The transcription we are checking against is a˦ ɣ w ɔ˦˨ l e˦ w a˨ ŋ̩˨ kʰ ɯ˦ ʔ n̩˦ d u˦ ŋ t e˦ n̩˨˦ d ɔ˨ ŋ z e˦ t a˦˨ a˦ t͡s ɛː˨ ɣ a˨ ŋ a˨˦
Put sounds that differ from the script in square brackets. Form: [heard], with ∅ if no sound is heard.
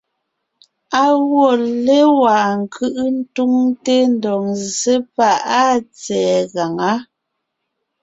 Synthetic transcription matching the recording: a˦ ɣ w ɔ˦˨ l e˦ w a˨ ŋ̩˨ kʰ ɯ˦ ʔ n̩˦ [t] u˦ ŋ t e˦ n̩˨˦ d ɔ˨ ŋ z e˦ [p] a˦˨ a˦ t͡s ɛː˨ ɣ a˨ ŋ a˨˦